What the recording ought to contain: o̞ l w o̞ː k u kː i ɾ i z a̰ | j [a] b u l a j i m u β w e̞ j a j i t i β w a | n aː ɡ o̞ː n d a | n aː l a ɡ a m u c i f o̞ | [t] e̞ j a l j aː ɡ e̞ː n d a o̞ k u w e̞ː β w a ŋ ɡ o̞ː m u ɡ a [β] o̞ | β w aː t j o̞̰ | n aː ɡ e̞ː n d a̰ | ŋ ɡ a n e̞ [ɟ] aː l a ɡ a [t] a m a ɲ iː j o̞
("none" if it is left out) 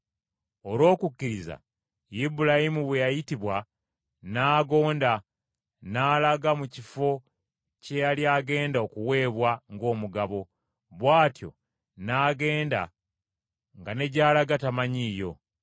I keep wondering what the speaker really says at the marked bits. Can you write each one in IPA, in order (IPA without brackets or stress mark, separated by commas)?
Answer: i, c, β, ɟ, t